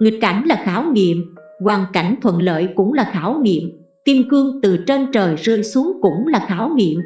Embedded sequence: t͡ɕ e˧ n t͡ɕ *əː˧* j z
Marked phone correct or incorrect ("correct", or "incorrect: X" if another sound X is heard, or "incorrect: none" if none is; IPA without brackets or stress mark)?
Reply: incorrect: əː˨˩